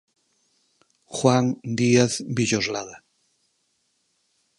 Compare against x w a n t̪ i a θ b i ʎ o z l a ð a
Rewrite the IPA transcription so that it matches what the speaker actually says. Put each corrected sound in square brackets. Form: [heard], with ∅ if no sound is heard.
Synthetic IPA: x w a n [d̪] i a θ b i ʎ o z l a ð a